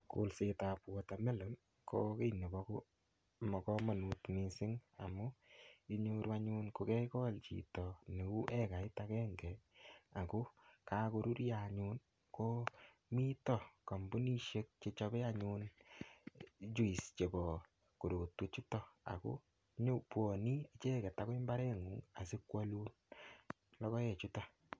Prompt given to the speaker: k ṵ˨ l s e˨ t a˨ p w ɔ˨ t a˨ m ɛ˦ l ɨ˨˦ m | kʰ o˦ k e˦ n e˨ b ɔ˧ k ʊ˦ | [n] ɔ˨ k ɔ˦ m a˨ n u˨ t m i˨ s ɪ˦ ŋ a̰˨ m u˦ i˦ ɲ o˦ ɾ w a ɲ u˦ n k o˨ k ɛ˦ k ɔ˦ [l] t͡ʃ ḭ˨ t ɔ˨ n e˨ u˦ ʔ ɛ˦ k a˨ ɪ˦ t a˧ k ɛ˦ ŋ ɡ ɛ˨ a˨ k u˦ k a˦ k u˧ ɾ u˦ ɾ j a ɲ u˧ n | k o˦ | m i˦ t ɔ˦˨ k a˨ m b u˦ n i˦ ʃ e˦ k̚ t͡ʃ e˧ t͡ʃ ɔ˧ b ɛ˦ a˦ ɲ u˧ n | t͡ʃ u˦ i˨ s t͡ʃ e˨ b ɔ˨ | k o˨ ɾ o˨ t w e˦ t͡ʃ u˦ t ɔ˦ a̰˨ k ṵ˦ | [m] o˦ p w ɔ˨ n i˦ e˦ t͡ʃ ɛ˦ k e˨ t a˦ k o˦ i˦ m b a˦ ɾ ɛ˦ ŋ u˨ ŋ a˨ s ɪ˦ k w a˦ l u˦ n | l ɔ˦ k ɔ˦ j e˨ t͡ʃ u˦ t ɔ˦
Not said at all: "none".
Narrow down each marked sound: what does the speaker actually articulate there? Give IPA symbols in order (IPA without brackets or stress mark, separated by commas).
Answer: m, l, ɲ